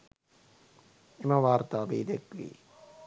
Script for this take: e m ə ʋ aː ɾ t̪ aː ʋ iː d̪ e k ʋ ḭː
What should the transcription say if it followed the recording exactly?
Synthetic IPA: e m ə ʋ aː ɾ t̪ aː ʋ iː d̪ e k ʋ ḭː